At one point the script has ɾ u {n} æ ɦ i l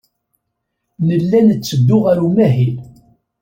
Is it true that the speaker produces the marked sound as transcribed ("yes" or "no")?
no